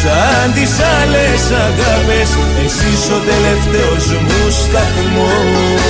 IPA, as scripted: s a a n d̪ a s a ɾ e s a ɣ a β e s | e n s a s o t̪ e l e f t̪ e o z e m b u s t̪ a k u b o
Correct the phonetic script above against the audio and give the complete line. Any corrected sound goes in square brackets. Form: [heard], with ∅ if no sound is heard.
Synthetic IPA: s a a n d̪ [i] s a [l] e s a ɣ a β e s | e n s [i] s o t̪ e l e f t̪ e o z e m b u s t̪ a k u [m] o